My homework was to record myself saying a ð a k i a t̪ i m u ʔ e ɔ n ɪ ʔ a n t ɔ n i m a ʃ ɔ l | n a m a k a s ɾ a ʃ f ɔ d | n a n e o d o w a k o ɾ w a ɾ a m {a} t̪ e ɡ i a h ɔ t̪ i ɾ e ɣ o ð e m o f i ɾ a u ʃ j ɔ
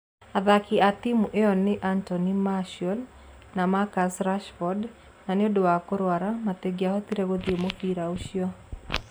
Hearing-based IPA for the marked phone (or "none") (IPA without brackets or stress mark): a